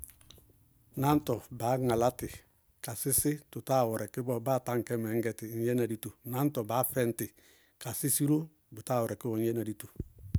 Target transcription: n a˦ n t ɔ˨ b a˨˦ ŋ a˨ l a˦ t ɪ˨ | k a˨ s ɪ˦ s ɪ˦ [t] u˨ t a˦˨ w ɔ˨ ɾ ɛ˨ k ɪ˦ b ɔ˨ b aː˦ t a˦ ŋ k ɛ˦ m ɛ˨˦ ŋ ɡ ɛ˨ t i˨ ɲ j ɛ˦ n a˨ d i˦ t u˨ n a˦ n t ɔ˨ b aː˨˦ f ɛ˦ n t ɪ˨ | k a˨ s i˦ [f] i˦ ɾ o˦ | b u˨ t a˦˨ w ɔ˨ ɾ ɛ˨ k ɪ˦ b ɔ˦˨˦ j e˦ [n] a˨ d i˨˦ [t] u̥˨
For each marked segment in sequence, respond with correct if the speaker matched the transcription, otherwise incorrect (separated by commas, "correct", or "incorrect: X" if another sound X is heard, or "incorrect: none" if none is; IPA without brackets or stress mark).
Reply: correct, incorrect: s, correct, correct